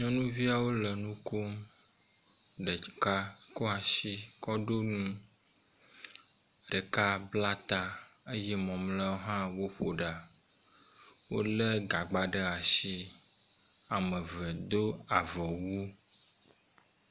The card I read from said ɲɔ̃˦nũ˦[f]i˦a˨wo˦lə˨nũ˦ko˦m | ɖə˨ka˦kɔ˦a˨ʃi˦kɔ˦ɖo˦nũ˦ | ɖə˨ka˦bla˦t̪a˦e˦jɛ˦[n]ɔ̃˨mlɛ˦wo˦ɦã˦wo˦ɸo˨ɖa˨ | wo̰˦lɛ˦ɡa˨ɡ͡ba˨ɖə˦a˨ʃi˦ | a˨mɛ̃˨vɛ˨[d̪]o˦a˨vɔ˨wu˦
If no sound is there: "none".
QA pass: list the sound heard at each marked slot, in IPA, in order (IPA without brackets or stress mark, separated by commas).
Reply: v, m, d̪